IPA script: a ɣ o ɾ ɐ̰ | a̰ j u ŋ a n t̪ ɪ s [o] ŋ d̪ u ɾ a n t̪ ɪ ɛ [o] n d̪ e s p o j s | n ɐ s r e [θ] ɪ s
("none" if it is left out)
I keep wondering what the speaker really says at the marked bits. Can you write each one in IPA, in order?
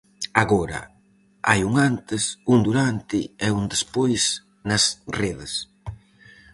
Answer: u, u, ð

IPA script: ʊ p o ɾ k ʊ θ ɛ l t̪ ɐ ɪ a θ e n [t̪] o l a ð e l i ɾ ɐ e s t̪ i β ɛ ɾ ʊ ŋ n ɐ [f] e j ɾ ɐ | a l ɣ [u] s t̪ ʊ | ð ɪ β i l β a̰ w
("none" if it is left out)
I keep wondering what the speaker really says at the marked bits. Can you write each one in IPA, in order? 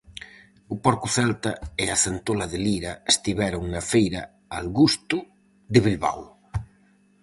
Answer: t̪, f, u

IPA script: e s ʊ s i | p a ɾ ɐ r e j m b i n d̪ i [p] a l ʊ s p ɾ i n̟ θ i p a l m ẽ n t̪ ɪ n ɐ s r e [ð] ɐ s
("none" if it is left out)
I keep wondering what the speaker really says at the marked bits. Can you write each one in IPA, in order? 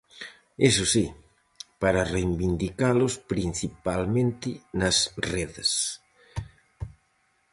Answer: k, ð

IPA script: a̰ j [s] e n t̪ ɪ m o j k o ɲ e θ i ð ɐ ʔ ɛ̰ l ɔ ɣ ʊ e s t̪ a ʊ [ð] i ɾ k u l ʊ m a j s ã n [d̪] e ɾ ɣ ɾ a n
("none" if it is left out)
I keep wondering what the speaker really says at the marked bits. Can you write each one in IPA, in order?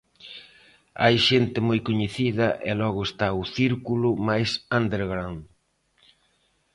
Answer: ʃ, θ, d̪

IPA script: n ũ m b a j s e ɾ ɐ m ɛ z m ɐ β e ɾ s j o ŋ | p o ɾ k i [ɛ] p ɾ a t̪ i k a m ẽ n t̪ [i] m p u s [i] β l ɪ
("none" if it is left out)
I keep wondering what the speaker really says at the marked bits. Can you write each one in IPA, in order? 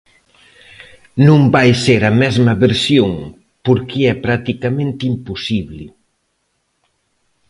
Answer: ɛ, i, i

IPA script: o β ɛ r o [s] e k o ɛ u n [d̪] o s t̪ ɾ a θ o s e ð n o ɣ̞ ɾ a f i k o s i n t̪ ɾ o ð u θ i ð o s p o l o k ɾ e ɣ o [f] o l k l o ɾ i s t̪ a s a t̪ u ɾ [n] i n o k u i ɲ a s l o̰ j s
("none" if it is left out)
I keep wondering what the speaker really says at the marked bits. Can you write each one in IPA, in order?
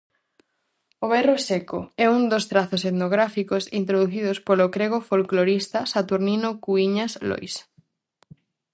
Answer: s, d̪, f, n

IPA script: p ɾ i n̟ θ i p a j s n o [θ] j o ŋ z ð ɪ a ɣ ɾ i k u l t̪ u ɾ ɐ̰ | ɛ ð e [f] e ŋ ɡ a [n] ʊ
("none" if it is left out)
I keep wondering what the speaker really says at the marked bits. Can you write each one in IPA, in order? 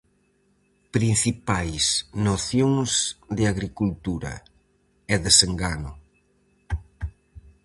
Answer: θ, s, n

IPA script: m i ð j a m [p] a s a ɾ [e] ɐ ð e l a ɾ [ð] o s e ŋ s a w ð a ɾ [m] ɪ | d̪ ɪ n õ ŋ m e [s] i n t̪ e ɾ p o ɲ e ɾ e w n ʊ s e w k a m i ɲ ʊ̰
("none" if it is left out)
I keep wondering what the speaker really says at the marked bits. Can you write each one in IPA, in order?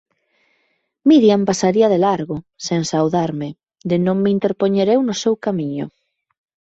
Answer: p, i, ɣ, m, none

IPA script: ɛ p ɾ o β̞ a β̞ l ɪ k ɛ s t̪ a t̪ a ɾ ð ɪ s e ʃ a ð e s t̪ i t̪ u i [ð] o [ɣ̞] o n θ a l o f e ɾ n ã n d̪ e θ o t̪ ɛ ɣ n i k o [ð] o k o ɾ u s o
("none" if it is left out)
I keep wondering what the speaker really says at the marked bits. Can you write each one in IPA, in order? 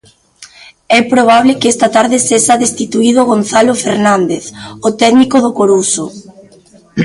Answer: ð, ɣ̞, ð

